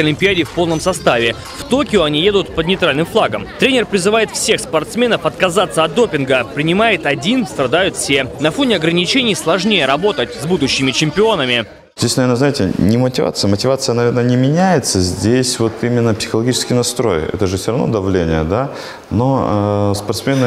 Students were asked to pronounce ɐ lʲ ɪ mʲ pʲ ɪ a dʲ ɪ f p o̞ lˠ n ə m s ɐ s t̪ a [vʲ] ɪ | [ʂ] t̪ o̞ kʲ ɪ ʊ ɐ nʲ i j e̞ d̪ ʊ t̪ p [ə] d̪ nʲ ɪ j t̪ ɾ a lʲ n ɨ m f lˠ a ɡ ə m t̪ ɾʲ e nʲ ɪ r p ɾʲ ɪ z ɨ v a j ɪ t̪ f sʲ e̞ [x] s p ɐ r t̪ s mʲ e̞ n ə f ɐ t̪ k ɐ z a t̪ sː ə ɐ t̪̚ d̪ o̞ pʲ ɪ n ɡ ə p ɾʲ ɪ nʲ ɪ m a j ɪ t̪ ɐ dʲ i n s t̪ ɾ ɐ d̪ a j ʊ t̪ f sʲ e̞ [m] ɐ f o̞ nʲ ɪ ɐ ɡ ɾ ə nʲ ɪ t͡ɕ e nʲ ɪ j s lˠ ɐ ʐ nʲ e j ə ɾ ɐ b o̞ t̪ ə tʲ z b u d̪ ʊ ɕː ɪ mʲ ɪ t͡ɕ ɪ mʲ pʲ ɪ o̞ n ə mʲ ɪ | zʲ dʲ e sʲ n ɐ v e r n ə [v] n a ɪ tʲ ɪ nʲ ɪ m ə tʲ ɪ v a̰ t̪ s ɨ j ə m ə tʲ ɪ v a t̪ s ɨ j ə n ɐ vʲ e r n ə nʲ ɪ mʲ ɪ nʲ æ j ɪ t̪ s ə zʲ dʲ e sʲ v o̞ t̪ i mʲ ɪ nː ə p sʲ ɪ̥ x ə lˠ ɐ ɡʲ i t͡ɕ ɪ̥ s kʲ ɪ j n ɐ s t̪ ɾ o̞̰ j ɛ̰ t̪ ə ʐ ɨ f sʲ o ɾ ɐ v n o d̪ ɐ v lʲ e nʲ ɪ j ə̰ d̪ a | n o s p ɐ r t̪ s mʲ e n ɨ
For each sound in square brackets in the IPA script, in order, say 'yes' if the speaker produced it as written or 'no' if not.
yes, no, yes, yes, no, no

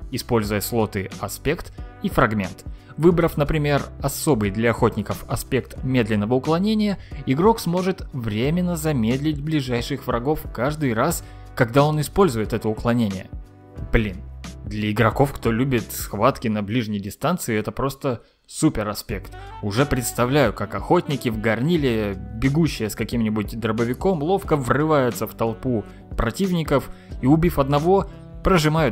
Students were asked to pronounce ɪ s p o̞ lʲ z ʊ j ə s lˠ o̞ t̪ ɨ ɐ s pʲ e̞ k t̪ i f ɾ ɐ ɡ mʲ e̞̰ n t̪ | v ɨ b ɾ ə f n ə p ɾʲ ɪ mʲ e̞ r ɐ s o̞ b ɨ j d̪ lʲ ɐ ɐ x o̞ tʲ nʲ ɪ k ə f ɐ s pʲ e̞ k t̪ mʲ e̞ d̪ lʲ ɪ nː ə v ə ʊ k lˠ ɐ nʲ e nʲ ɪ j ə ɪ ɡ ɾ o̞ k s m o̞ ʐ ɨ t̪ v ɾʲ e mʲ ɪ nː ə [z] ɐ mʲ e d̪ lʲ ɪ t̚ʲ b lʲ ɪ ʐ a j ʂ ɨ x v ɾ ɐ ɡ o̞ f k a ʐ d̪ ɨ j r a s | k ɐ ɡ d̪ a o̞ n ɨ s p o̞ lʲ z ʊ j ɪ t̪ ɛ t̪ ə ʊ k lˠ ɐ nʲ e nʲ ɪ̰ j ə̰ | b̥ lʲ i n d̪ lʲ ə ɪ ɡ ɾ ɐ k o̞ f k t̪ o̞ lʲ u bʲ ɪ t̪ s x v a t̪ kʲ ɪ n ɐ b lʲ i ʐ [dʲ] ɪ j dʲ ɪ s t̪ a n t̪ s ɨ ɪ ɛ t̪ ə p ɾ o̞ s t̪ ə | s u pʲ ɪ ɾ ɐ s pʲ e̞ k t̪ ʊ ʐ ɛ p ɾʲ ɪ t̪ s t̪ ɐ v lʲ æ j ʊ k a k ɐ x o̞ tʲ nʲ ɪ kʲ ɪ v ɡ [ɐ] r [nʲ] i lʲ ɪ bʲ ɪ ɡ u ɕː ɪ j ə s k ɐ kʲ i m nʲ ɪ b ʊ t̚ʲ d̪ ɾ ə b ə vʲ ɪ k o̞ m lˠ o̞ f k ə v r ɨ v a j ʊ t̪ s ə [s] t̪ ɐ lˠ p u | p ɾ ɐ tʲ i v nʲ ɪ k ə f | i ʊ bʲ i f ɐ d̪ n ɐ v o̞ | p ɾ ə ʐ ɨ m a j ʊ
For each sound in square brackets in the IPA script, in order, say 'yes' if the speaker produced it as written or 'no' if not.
yes, no, yes, yes, no

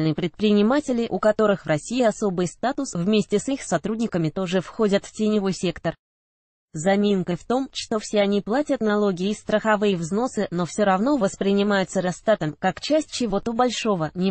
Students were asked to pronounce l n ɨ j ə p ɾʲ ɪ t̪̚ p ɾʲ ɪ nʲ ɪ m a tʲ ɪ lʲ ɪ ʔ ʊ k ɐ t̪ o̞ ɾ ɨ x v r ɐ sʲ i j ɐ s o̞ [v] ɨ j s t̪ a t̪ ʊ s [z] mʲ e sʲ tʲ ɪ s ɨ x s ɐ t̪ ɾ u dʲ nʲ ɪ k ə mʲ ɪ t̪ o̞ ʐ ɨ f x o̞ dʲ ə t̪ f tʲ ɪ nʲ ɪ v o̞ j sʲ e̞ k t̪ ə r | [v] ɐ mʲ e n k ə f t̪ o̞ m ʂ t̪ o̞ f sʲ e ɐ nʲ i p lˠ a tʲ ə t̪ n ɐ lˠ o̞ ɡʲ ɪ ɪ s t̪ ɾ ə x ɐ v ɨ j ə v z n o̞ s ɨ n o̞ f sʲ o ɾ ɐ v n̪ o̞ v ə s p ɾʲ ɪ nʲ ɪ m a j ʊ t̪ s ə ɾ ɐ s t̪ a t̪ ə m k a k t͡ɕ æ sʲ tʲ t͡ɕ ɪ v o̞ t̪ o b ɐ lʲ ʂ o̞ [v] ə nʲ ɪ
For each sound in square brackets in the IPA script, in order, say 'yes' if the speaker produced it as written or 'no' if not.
no, no, no, yes

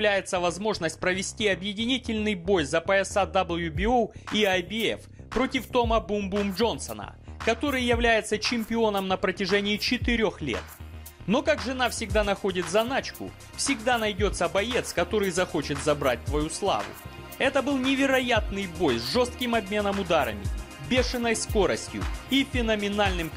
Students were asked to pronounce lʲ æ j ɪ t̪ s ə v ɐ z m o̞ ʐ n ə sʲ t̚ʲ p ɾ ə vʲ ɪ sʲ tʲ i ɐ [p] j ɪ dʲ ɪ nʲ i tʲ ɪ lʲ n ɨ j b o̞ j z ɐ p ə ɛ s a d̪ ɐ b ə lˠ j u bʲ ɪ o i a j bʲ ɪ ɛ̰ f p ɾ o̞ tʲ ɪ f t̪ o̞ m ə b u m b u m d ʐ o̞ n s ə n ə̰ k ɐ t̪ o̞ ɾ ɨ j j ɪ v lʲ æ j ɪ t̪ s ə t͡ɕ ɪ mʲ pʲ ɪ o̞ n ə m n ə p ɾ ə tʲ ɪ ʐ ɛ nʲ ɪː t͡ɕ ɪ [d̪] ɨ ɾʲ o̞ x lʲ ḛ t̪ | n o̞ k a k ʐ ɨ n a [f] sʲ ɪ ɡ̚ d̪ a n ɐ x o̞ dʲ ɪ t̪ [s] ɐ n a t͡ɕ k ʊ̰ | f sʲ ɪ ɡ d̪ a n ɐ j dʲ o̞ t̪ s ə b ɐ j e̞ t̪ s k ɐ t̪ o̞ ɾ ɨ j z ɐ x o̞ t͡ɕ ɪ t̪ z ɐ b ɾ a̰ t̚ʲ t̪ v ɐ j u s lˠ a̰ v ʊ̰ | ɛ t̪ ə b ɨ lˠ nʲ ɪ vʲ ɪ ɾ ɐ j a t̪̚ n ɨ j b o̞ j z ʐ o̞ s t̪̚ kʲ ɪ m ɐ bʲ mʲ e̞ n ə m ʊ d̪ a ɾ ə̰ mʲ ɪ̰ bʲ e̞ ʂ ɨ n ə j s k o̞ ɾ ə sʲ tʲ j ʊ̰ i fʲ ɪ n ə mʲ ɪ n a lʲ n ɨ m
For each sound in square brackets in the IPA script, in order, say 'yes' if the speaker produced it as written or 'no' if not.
no, no, yes, no

